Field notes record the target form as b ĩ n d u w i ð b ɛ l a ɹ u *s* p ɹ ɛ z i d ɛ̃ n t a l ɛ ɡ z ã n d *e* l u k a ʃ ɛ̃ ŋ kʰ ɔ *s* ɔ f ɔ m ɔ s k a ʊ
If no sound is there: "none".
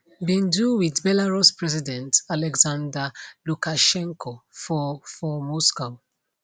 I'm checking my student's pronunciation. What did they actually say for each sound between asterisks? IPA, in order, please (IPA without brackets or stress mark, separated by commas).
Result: s, a, f